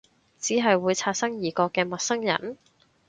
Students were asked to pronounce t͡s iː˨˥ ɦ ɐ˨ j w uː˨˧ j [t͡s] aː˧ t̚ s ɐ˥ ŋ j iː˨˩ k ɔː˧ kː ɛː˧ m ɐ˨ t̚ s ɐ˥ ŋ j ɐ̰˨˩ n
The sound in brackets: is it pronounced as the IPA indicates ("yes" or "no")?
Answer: no